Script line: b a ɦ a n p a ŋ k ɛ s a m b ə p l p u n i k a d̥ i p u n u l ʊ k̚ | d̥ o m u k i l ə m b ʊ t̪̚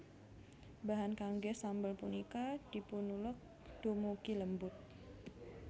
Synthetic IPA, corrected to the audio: b a ɦ a n k a ŋ ɡ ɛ s a m b ə l p u n i k a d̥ i p u n u l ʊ k̚ | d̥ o m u k i l ə m b ʊ t̪̚